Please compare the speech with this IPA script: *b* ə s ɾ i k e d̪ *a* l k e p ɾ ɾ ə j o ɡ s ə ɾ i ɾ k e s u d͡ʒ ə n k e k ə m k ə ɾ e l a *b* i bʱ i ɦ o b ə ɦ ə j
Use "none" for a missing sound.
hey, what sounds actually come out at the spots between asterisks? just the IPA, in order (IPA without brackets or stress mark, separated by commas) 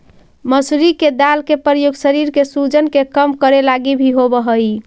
m, a, ɡ